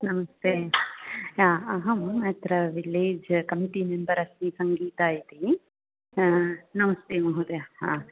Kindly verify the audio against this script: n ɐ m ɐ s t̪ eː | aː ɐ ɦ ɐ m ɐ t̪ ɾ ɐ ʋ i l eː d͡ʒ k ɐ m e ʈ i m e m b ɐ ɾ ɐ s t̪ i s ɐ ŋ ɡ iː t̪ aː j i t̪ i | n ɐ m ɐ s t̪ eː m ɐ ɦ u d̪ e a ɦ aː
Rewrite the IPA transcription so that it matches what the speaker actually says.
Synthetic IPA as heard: n ɐ m ɐ s t̪ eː | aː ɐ ɦ ɐ m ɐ t̪ ɾ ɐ ʋ i l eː d͡ʒ k ɐ m i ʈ i m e m b ɐ ɾ ɐ s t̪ i s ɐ ŋ ɡ iː t̪ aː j i t̪ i | n ɐ m ɐ s t̪ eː m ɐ ɦ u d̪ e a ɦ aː